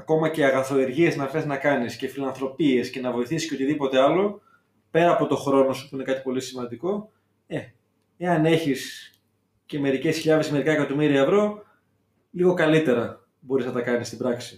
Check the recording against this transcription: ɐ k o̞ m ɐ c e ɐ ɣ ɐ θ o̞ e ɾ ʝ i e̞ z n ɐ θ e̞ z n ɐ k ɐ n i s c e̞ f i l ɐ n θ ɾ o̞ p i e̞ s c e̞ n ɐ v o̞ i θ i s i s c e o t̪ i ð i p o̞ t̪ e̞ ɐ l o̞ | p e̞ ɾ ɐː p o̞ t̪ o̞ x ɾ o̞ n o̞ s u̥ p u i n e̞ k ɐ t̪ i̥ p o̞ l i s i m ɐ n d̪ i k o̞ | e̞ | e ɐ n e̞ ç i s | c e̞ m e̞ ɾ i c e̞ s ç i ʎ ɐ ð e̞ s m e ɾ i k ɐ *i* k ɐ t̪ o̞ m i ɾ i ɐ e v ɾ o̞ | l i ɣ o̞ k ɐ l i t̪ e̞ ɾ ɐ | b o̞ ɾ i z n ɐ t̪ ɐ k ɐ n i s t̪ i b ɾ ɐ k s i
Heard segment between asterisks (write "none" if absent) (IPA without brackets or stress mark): e